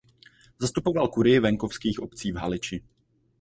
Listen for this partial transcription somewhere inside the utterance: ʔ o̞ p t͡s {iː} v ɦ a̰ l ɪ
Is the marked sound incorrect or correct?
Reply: correct